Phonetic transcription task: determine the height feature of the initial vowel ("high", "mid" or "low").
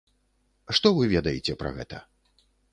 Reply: mid